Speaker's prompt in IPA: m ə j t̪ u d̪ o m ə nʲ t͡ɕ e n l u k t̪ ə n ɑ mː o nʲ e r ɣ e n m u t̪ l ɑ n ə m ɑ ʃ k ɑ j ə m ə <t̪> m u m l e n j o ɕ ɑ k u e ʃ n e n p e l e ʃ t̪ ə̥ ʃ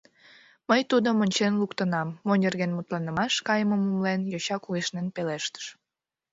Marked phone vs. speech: incorrect: none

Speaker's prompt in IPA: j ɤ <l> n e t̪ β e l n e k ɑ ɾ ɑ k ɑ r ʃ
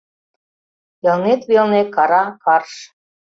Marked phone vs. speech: correct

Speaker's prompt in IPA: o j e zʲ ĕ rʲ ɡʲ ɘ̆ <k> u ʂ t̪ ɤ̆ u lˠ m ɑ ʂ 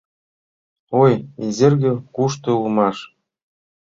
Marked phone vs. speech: correct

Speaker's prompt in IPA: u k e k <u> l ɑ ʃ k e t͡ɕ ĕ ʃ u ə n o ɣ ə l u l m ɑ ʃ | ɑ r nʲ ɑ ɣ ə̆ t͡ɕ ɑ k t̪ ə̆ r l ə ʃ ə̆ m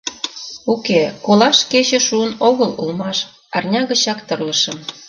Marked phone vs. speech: incorrect: o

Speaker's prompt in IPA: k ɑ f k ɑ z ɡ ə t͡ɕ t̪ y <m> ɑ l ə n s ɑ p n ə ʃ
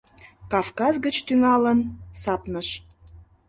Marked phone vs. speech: incorrect: ŋ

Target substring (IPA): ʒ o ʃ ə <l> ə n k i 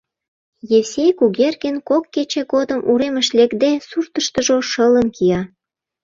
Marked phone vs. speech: correct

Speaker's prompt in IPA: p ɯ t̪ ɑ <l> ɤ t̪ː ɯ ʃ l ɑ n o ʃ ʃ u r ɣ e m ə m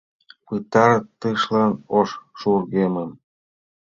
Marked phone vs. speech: incorrect: ɾ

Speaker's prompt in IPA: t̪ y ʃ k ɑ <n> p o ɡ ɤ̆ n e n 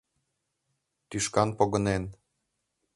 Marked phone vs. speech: correct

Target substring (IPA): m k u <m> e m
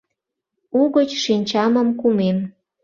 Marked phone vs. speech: correct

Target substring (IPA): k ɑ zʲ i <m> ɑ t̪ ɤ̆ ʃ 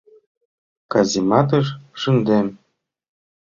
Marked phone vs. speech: correct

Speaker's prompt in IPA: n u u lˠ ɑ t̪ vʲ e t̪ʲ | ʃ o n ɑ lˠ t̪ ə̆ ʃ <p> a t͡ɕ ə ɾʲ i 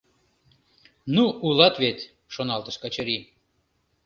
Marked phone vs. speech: incorrect: k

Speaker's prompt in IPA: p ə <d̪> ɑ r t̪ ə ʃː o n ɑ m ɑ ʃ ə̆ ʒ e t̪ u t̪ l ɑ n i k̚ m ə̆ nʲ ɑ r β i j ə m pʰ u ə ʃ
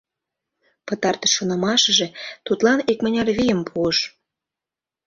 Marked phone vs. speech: incorrect: t̪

